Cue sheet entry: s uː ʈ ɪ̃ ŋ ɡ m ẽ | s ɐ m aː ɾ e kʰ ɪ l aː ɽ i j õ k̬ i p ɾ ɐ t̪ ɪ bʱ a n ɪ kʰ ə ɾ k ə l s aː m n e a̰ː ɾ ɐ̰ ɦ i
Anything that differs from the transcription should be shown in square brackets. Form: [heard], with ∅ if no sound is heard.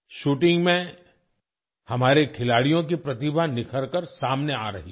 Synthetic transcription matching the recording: [ʃ] uː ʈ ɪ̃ ŋ ɡ m ẽ | [h] ɐ m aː ɾ e kʰ ɪ l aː ɽ i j õ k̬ i p ɾ ɐ t̪ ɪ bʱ a n ɪ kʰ ə ɾ k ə [ɾ] s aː m n e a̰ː ɾ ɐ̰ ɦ i